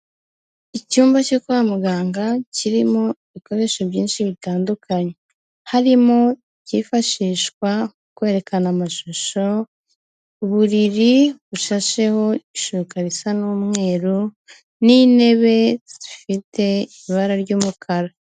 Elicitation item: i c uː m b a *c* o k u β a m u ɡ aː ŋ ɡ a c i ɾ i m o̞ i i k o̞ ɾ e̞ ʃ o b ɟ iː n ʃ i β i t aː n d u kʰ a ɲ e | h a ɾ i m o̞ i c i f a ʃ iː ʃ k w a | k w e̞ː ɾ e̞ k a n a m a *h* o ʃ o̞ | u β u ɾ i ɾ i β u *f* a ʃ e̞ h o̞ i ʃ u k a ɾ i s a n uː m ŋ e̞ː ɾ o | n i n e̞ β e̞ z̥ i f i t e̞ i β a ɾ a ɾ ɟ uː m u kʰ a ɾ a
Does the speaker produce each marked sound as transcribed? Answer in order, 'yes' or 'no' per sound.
yes, no, no

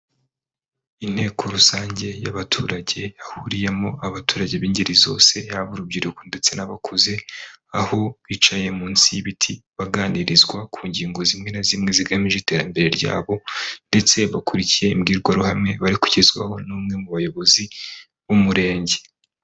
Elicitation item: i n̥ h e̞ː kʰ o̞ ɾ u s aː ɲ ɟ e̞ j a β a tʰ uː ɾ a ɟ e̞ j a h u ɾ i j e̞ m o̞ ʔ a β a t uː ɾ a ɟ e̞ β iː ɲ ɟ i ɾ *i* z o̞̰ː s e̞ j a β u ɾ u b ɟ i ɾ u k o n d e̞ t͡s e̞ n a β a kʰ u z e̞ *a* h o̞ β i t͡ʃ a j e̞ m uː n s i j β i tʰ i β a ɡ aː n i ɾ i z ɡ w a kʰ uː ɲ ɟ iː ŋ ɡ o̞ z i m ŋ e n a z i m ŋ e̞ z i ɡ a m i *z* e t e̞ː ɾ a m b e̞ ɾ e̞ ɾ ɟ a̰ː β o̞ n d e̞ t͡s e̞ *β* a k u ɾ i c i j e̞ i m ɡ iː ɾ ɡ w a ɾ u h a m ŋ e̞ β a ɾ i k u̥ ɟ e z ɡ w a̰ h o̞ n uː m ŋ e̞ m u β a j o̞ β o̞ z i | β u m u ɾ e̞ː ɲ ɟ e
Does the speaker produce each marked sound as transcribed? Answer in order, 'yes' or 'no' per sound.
yes, yes, no, yes

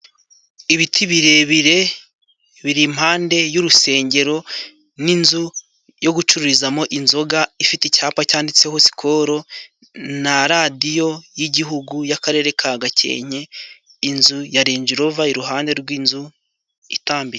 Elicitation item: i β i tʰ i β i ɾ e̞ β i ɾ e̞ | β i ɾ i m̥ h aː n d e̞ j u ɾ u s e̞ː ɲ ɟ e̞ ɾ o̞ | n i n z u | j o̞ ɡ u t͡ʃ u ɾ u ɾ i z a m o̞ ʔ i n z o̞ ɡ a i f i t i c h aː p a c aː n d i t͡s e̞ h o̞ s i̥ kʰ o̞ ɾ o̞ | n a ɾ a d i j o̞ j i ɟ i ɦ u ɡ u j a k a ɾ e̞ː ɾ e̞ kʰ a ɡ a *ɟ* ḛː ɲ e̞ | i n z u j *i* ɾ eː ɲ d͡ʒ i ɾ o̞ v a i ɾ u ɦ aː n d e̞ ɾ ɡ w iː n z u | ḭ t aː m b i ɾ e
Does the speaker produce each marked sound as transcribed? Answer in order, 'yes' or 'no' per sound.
no, no

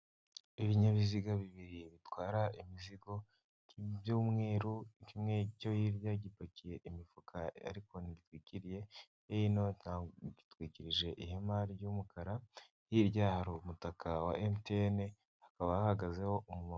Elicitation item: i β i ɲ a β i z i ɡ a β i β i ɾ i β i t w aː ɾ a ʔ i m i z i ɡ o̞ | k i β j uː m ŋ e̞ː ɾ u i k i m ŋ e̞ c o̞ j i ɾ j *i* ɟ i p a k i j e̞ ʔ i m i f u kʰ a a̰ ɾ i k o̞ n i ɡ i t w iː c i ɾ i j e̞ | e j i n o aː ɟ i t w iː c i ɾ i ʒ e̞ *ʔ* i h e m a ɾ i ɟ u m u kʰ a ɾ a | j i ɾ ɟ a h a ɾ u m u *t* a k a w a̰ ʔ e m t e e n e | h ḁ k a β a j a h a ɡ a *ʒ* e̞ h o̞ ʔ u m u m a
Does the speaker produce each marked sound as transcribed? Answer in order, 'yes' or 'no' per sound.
no, yes, yes, no

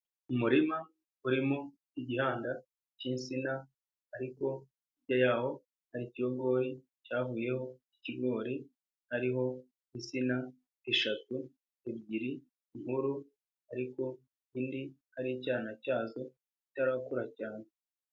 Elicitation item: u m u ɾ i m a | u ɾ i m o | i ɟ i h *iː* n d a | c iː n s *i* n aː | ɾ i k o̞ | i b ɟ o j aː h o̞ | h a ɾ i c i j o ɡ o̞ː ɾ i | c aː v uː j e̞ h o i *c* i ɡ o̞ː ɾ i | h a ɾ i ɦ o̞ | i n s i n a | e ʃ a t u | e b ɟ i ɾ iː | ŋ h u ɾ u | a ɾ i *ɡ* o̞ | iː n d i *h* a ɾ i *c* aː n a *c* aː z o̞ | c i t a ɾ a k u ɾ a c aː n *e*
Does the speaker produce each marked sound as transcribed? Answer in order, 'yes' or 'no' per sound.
no, yes, yes, no, yes, yes, yes, yes

